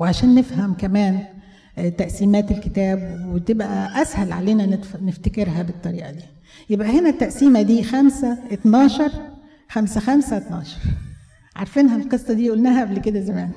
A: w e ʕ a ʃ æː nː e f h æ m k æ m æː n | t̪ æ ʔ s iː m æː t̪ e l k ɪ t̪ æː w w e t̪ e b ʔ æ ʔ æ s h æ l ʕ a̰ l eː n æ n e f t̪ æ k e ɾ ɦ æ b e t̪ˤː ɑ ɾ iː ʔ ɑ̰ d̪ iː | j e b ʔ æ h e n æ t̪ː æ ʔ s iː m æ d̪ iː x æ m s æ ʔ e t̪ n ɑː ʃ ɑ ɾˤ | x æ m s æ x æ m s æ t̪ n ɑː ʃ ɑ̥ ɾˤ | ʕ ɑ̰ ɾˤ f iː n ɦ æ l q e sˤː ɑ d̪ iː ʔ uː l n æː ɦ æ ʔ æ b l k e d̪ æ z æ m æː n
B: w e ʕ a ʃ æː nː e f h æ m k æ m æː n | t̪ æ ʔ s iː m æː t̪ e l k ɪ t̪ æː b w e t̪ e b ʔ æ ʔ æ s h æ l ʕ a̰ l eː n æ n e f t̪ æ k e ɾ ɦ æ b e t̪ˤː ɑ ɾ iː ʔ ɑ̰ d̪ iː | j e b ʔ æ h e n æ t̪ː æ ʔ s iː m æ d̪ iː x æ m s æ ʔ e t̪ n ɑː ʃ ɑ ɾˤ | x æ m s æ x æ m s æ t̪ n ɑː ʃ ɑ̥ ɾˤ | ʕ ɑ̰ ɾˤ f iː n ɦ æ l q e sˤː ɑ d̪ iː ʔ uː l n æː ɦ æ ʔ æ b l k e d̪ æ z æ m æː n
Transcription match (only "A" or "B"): B